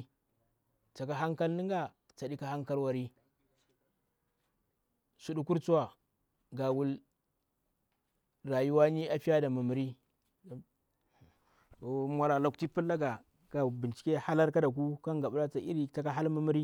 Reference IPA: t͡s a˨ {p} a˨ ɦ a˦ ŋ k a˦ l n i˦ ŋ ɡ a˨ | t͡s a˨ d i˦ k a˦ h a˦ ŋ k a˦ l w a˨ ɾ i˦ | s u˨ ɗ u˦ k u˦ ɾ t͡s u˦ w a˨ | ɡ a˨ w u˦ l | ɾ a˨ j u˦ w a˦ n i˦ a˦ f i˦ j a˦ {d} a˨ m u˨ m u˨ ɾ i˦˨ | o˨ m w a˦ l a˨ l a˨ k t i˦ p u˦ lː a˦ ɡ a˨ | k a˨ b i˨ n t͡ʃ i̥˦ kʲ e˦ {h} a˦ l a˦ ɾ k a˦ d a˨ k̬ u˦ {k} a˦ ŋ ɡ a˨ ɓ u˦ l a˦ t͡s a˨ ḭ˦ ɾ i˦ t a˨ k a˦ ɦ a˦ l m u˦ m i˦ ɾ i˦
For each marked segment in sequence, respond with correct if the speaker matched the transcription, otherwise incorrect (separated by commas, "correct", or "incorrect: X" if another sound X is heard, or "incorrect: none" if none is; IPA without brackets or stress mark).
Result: incorrect: k, correct, correct, correct